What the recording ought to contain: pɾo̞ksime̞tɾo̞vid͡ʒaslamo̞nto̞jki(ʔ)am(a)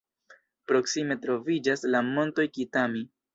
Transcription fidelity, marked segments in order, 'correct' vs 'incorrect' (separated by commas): incorrect, incorrect